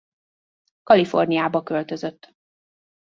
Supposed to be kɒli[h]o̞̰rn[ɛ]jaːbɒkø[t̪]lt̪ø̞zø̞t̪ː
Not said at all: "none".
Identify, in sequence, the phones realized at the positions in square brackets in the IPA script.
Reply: f, i, none

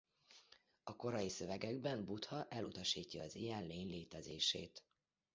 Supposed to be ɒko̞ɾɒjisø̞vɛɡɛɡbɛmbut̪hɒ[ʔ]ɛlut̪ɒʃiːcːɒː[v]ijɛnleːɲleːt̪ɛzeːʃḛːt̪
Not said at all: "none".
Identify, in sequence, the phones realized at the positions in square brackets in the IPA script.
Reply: ʔ, z

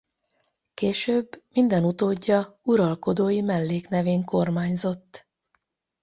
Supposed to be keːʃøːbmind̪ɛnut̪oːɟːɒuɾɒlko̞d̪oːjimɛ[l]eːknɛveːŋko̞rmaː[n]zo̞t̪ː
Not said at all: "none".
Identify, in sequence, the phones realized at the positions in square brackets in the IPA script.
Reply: lː, ɲ

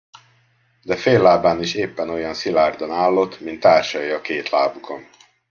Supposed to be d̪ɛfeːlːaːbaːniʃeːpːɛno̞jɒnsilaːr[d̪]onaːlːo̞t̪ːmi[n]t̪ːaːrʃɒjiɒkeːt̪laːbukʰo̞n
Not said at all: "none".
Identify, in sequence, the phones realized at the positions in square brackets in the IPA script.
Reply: d̪, n

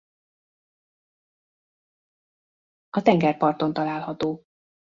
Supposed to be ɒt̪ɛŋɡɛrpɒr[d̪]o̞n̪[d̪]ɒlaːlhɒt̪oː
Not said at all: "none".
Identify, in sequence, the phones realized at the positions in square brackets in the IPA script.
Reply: t̪, t̪

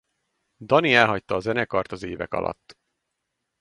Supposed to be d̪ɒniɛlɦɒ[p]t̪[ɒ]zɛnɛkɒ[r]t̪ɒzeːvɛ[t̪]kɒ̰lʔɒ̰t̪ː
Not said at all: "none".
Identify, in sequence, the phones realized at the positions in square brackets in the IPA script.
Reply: c, ɒː, r, none

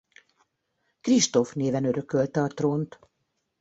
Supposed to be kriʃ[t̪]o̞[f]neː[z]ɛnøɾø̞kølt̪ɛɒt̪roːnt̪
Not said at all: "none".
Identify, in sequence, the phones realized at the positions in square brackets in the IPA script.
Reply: t̪, f, v

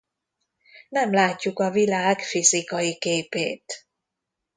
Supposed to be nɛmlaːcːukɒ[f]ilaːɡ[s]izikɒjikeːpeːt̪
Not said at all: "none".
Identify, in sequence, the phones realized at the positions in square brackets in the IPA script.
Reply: v, f

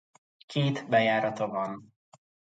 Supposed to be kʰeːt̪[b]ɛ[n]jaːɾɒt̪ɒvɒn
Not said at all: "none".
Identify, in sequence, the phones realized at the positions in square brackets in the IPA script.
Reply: b, none

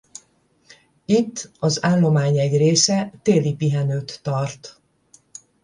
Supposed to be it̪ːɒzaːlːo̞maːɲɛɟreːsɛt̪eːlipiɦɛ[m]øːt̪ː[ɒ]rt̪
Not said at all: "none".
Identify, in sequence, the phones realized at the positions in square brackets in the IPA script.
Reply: n, ɒ

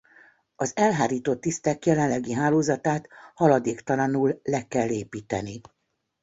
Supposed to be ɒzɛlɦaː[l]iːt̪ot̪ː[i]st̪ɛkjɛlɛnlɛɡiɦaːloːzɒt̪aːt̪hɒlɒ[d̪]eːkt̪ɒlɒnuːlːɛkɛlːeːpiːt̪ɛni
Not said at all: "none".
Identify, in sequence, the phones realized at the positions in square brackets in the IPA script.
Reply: ɾ, i, d̪

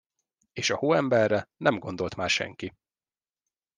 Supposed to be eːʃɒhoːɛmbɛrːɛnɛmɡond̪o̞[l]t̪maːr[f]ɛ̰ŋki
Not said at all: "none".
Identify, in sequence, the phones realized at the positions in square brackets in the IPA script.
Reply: l, ʃ

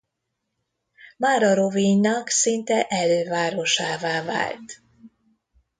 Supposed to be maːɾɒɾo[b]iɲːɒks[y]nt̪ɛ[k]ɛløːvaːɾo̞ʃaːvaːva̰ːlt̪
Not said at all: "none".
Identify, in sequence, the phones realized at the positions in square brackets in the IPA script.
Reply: v, i, ʔ

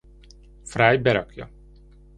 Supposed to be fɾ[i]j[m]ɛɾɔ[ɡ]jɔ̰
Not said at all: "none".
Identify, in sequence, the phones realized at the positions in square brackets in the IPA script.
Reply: a, b, k

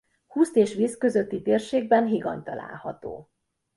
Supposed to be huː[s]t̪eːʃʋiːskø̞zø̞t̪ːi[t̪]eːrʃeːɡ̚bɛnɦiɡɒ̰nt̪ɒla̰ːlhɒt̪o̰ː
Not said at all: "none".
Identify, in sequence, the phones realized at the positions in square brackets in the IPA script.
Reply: s, t̪

